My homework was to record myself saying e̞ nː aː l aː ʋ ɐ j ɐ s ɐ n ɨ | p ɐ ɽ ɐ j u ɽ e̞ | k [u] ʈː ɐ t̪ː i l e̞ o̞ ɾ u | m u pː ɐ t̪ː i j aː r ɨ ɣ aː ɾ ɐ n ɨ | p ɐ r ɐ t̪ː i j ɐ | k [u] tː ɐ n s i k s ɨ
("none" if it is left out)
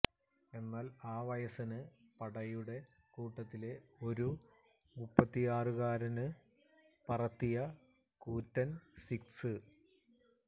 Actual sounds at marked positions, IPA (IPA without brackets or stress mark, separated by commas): uː, uː